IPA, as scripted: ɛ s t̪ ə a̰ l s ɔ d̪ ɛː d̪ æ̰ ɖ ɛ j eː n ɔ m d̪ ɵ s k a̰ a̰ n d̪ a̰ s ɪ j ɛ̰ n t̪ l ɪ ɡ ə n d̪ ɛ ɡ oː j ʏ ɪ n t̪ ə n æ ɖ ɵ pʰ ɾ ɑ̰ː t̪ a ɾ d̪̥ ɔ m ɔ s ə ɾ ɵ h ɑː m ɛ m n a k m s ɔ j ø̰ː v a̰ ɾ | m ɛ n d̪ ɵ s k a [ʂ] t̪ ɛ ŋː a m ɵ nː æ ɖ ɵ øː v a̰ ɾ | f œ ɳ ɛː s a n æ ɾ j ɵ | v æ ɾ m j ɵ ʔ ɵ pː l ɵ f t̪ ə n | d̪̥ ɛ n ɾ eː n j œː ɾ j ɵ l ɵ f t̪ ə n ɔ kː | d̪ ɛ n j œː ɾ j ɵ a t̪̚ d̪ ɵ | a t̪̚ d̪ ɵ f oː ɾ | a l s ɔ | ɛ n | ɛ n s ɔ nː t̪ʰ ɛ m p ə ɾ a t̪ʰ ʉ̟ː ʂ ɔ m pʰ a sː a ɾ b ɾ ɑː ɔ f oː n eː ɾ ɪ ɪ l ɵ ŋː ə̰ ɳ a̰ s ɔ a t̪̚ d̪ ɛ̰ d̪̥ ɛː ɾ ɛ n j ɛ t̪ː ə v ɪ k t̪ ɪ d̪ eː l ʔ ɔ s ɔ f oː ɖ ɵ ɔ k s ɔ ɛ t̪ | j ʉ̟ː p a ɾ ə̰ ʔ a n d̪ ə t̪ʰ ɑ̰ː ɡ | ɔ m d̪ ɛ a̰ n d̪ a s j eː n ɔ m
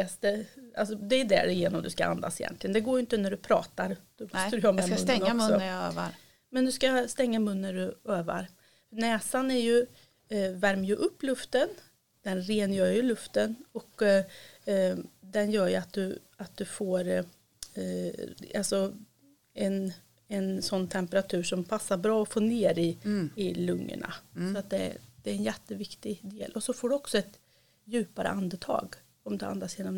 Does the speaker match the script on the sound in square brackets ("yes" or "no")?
no